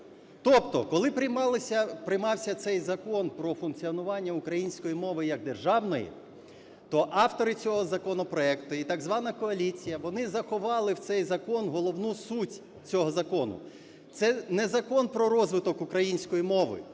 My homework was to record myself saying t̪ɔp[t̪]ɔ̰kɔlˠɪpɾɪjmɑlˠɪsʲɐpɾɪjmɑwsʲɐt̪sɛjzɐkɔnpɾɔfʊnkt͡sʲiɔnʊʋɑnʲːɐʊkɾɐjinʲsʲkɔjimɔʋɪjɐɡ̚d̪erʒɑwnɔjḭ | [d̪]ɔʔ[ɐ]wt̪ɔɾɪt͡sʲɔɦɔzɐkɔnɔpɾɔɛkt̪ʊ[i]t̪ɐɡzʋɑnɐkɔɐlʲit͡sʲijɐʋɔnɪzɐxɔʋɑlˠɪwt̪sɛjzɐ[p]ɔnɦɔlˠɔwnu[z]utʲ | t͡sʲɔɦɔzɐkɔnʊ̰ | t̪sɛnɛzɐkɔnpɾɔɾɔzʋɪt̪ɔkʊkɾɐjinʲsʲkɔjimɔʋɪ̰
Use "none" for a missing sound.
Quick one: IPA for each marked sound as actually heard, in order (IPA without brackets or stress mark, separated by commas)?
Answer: t̪, t̪, ɑ, i, k, s